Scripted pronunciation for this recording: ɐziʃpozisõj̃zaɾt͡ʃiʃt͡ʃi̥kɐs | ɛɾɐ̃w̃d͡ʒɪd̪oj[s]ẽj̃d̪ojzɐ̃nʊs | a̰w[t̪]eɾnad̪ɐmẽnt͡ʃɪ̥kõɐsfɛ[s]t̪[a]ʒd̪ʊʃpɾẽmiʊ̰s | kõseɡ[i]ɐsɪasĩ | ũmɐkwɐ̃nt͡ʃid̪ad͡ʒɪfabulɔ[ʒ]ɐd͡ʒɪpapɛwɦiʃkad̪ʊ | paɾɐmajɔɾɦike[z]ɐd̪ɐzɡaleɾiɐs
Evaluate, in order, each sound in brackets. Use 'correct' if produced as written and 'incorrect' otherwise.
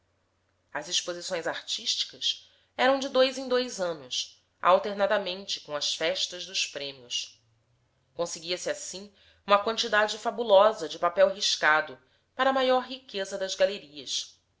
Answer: incorrect: z, correct, incorrect: ʃ, incorrect: ɐ, correct, incorrect: z, correct

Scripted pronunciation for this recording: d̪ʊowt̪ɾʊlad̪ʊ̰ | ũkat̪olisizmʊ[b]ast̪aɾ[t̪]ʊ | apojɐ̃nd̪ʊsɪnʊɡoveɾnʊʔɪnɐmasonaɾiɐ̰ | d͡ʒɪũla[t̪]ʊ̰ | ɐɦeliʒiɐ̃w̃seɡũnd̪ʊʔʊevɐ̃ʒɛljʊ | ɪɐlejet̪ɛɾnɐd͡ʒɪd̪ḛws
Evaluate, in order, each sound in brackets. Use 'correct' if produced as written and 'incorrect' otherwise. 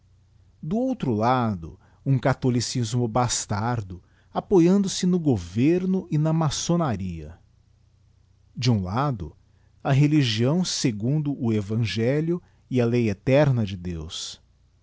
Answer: correct, incorrect: d̪, incorrect: d̪

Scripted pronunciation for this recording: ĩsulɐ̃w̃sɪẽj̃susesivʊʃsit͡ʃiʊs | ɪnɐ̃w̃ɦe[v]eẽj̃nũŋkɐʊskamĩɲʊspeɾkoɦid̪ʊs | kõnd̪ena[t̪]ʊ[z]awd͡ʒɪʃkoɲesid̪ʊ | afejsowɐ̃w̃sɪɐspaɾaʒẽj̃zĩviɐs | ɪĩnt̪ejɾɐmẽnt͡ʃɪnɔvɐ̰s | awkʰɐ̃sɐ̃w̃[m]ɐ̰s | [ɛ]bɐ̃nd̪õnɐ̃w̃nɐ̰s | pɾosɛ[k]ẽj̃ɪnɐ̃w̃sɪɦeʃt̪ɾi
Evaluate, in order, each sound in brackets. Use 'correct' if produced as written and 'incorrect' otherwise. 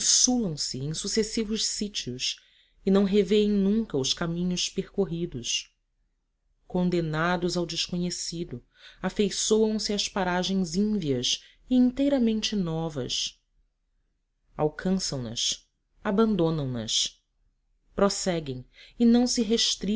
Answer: correct, incorrect: d̪, correct, incorrect: n, incorrect: a, incorrect: ɡ

